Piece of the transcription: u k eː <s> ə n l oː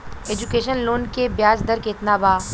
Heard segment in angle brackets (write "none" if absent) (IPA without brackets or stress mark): ʃ